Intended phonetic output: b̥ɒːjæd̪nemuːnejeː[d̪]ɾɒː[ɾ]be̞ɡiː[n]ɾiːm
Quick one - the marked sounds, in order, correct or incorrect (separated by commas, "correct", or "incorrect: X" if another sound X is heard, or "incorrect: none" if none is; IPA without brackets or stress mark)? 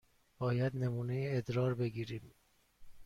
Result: correct, correct, incorrect: none